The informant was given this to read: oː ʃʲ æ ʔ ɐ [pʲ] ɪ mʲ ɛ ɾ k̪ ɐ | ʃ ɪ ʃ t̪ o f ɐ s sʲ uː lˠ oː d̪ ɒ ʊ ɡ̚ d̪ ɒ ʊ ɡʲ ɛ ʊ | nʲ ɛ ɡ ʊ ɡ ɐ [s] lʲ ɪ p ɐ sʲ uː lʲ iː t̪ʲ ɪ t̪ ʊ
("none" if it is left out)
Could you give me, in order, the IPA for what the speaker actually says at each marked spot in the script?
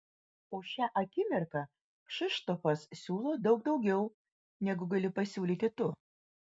kʲ, none

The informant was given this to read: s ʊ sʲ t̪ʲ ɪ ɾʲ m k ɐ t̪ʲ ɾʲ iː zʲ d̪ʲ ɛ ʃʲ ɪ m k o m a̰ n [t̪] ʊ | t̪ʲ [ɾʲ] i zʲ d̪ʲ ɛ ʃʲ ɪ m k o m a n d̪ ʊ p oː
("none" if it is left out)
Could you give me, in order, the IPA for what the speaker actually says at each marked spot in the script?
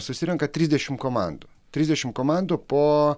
d̪, ɾʲ

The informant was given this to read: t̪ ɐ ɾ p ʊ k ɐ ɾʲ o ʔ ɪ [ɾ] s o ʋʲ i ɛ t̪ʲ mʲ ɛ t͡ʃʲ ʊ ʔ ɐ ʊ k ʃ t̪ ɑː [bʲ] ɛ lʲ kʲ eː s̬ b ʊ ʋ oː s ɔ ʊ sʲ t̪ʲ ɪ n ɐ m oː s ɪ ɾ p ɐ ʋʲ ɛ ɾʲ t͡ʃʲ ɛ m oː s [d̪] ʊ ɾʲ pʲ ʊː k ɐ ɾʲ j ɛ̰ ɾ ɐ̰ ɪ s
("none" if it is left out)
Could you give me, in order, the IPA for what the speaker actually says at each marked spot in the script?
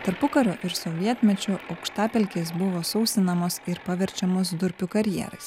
ɾ, pʲ, d̪

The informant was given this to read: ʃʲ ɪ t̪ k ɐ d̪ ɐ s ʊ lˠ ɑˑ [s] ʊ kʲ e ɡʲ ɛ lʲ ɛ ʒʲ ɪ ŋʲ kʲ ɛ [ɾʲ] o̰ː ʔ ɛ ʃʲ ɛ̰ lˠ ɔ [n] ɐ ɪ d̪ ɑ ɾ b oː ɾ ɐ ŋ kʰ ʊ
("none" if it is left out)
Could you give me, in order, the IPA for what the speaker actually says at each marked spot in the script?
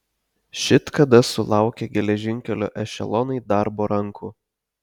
none, lʲ, n

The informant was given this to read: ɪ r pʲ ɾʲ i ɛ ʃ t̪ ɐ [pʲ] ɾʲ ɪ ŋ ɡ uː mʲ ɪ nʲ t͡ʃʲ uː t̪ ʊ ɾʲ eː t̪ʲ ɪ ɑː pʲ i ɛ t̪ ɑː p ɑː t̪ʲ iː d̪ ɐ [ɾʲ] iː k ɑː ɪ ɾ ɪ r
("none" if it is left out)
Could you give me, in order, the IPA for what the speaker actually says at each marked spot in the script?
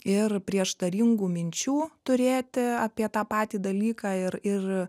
none, lʲ

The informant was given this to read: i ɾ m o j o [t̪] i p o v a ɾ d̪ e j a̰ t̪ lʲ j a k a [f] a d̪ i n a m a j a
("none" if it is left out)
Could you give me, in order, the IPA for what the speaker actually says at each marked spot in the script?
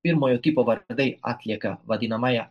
t̪, v

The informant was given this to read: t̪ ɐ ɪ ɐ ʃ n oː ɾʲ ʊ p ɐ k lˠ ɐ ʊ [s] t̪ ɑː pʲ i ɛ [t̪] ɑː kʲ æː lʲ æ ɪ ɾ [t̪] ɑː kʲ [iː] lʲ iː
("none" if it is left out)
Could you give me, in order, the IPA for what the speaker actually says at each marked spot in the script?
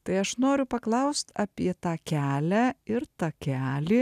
s, t̪, t̪, æː

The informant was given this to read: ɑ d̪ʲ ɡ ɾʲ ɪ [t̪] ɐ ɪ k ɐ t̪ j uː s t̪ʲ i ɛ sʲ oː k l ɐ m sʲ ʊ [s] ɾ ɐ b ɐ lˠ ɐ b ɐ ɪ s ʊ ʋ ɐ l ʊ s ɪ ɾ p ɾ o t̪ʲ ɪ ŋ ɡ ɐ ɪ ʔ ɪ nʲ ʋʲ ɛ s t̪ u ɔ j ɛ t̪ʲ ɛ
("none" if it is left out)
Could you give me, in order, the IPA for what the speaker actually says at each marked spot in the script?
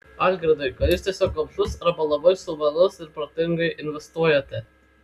d̪, s

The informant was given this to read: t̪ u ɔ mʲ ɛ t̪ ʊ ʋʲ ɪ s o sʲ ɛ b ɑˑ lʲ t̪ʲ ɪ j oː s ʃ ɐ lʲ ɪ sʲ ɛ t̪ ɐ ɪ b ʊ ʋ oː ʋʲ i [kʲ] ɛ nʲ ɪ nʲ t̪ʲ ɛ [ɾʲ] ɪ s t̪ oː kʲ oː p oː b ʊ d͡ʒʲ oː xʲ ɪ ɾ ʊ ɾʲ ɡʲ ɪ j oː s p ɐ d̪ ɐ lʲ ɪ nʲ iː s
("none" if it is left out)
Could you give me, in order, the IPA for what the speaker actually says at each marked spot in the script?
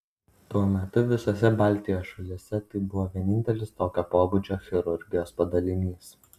none, lʲ

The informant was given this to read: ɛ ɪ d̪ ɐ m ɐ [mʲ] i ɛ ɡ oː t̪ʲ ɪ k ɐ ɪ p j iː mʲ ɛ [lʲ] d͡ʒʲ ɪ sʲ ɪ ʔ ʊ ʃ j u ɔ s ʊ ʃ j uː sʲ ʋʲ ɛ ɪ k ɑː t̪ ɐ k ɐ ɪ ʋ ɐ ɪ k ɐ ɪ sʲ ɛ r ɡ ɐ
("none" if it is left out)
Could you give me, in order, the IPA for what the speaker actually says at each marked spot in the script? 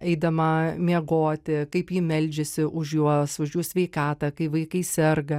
mʲ, lʲ

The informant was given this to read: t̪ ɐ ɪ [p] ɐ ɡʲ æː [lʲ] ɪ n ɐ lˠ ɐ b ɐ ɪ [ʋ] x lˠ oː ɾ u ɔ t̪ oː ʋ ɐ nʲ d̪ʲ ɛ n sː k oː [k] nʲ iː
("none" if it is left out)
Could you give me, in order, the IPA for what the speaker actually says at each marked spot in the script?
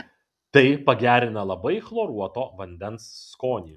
p, ɾʲ, none, none

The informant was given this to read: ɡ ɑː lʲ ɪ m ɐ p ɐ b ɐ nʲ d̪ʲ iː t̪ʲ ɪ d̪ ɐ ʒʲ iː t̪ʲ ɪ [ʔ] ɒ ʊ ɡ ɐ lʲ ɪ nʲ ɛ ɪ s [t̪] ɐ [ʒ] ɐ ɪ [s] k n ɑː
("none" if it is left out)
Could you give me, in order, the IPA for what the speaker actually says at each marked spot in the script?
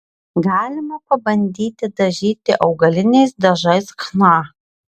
ʔ, d̪, ʒ, s

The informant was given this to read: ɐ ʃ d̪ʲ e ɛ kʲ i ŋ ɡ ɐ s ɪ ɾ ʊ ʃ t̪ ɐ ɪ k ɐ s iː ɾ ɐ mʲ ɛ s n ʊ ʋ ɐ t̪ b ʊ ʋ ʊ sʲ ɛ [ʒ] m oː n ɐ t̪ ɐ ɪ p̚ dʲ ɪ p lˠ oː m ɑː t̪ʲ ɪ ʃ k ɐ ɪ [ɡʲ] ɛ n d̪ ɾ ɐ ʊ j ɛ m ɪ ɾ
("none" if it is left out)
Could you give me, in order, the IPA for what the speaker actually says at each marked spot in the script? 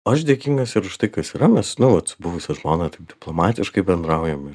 ʒ, bʲ

